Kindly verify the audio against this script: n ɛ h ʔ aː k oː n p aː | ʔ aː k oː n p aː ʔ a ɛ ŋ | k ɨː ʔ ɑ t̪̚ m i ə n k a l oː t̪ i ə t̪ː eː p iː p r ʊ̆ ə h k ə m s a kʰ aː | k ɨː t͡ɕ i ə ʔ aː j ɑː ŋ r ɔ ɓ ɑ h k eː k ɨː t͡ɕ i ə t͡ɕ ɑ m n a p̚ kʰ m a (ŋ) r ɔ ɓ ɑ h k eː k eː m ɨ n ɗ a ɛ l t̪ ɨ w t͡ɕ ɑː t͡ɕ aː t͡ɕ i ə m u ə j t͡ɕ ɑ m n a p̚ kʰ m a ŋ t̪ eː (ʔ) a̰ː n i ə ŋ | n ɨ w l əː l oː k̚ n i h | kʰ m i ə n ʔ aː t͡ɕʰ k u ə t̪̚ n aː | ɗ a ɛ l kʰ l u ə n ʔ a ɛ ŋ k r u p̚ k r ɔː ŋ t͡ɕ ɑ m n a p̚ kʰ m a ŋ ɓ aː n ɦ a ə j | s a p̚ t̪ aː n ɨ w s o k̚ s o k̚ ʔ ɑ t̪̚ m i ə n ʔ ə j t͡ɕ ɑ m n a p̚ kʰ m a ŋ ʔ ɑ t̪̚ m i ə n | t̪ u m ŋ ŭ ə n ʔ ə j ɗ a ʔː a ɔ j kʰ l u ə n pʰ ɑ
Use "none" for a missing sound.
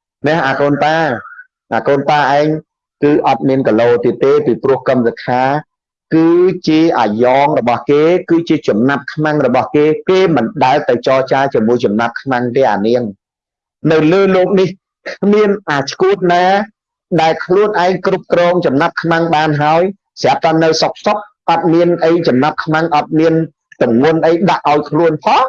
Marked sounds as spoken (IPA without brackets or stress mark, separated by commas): ŋ, ʔ